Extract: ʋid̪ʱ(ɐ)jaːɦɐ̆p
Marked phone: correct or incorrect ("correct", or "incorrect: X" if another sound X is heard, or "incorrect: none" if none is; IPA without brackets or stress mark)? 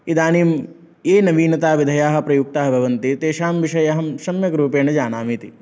correct